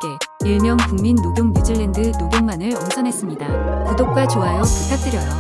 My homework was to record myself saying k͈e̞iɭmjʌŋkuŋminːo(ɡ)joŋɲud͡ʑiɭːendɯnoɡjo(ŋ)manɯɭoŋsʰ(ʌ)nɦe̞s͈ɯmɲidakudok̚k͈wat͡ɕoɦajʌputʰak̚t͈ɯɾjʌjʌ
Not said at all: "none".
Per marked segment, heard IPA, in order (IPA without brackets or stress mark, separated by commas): ɡ, ŋ, ʌ